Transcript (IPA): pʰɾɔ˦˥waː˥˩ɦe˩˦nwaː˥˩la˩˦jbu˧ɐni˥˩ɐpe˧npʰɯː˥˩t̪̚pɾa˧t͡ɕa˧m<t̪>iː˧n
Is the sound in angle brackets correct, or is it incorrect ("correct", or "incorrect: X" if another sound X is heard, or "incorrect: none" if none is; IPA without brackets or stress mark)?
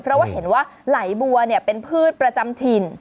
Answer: incorrect: t̪ʰ